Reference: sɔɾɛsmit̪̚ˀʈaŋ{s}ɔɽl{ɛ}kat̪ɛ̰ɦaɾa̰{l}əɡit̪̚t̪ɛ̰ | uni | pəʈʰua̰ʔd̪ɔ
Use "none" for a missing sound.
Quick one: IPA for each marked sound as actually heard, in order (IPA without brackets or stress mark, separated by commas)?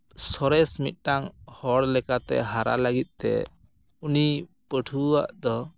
h, ɛ, l